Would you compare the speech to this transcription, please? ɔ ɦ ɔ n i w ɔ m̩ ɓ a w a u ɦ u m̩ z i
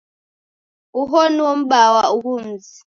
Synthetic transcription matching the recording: u ɦ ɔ n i w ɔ m̩ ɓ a w a u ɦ u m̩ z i